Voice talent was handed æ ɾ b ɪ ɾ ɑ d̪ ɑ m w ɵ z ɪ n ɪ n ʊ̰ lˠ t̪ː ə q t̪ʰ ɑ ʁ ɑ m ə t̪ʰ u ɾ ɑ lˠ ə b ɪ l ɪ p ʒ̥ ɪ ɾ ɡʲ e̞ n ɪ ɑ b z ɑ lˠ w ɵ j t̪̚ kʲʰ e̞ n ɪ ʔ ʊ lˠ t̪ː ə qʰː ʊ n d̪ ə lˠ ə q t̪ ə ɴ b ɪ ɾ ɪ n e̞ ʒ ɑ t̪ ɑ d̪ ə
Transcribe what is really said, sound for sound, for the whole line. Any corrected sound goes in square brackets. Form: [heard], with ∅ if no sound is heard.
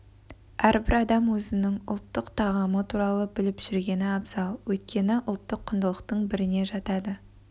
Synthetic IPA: æ ɾ b ɪ ɾ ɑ d̪ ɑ m w ɵ z ɪ n ɪ [ŋ] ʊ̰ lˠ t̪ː ə q t̪ʰ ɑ ʁ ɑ m ə t̪ʰ u ɾ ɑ lˠ ə b ɪ l ɪ p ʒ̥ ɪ ɾ ɡʲ e̞ n ɪ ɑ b z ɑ lˠ w ɵ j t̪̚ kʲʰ e̞ n ɪ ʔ ʊ lˠ t̪ː ə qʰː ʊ n d̪ ə lˠ ə q t̪ ə ɴ b ɪ ɾ ɪ n e̞ ʒ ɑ t̪ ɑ d̪ ə